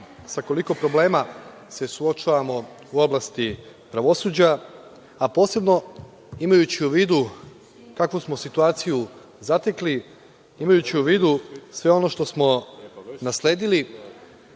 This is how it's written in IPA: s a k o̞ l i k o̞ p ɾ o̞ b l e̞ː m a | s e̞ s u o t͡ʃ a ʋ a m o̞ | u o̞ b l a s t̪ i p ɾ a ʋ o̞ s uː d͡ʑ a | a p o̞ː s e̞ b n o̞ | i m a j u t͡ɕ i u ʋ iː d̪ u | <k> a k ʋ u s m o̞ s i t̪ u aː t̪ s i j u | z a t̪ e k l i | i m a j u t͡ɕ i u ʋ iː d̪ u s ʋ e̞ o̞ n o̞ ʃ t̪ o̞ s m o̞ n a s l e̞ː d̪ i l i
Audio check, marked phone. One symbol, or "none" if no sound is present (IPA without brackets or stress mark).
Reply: k